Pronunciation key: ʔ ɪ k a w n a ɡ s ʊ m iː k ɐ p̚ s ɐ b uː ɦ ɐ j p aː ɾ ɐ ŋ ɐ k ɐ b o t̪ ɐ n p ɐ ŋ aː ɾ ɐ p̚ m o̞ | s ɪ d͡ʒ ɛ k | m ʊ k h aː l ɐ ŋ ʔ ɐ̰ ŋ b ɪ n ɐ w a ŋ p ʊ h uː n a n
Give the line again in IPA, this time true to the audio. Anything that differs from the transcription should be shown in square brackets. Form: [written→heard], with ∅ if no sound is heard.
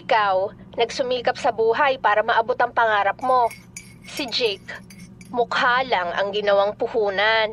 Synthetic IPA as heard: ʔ ɪ k a w n [a→ɐ] ɡ s ʊ m iː k ɐ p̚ s ɐ b uː ɦ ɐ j p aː ɾ ɐ [ŋ→m] ɐ [k→ʔ] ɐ b o t̪ ɐ [n→ŋ] p ɐ ŋ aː ɾ ɐ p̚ m o̞ | s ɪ d͡ʒ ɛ k | m ʊ k h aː l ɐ ŋ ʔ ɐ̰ ŋ [b→ɡ] ɪ n ɐ w a ŋ p ʊ h uː n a n